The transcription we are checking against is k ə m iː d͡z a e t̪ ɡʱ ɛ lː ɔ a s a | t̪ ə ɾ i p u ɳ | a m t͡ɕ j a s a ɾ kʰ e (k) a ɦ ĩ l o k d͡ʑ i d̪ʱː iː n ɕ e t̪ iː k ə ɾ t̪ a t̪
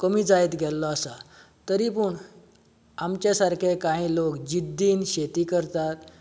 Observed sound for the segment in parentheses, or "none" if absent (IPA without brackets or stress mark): k